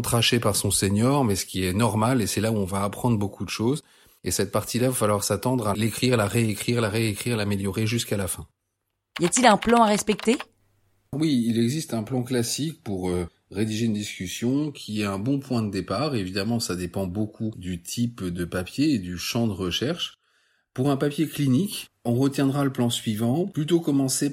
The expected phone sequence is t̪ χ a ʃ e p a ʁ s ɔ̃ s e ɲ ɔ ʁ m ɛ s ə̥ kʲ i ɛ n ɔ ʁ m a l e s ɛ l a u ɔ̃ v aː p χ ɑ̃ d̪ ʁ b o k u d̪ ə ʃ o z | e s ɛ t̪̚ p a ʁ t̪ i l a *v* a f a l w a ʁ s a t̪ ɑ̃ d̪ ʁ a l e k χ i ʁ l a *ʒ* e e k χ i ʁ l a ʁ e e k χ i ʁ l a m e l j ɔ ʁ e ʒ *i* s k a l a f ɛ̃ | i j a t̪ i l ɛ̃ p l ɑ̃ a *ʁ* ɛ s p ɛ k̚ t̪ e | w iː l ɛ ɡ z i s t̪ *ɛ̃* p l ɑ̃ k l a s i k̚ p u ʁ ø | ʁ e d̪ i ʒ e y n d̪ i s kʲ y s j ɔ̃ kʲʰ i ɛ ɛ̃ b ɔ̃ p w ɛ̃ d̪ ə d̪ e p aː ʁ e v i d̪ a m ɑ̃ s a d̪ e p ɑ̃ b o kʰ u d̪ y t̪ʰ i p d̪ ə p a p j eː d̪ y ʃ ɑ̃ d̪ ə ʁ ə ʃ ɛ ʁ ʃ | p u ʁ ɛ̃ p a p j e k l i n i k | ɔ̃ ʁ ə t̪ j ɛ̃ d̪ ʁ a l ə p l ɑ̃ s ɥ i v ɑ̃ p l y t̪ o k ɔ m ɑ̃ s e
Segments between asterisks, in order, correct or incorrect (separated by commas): correct, incorrect, incorrect, correct, correct